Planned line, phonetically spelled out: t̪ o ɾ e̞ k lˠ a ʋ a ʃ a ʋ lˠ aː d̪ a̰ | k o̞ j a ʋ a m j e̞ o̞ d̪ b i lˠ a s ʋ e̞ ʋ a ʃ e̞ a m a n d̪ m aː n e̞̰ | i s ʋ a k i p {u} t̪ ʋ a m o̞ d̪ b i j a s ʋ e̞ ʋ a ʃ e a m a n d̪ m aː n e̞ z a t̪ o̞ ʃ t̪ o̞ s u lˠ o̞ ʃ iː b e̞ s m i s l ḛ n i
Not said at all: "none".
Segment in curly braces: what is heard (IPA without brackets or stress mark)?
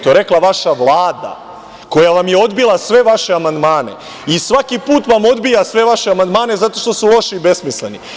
uː